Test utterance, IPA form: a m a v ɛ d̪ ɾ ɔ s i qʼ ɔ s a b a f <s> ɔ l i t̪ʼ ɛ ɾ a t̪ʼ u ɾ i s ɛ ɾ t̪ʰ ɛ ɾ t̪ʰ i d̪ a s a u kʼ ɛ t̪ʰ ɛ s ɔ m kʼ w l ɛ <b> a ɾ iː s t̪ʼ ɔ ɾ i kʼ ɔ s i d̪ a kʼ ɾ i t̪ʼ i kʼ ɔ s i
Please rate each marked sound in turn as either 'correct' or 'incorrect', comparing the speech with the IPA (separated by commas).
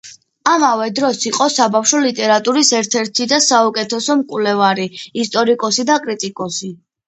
incorrect, incorrect